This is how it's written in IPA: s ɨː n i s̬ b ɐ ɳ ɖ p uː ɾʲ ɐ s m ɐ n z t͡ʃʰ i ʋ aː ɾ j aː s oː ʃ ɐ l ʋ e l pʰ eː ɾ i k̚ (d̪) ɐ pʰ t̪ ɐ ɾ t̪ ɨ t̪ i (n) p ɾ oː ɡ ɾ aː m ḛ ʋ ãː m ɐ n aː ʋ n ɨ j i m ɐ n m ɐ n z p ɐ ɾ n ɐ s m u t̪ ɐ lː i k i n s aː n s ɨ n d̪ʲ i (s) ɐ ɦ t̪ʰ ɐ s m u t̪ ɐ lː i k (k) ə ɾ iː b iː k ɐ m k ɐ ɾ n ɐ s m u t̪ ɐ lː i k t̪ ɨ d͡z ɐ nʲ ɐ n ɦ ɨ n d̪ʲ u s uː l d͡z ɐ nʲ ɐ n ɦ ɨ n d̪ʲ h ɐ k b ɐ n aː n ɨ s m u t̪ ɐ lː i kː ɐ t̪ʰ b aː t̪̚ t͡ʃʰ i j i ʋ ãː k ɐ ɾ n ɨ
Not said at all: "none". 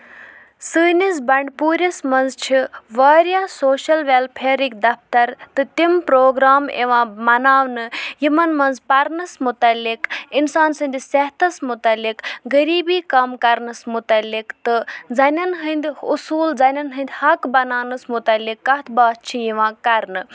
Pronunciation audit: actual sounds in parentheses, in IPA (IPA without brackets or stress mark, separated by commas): d̪, m, s, ɡ